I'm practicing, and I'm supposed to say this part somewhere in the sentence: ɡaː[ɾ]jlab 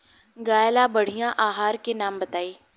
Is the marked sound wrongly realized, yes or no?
yes